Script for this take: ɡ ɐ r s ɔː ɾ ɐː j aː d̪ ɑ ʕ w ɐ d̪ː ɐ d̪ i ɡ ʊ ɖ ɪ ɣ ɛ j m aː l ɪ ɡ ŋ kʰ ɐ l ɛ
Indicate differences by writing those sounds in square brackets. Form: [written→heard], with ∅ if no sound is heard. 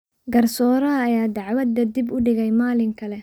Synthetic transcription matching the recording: ɡ ɐ r s ɔː ɾ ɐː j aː d̪ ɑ ʕ w ɐ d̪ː ɐ d̪ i [ɡ→b] ʊ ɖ ɪ ɣ ɛ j m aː l ɪ [ɡ→∅] ŋ kʰ ɐ l ɛ